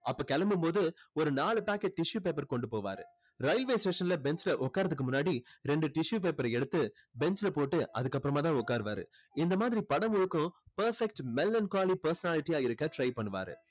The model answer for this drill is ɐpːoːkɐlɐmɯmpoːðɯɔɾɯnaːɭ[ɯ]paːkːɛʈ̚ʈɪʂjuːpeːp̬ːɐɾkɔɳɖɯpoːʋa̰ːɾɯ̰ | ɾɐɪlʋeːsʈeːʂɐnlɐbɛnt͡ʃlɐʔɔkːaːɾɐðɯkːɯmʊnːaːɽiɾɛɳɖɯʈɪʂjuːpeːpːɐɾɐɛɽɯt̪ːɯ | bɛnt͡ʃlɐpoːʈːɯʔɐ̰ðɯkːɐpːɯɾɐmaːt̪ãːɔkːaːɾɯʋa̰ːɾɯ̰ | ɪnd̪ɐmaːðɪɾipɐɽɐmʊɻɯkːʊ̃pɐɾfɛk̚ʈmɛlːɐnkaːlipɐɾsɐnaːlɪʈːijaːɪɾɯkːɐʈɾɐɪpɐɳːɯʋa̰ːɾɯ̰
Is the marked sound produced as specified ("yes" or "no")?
yes